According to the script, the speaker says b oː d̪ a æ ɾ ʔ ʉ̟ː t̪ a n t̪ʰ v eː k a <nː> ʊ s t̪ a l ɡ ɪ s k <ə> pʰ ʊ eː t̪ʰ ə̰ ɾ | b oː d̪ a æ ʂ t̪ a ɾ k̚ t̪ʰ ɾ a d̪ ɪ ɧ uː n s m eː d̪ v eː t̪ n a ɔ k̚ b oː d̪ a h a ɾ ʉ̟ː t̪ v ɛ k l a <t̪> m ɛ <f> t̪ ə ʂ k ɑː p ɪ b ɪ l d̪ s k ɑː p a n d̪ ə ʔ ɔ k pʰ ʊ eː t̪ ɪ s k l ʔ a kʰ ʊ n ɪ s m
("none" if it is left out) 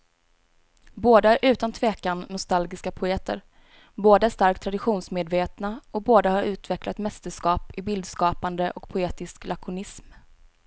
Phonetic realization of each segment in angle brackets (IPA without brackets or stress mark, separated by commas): nː, a, t̪, s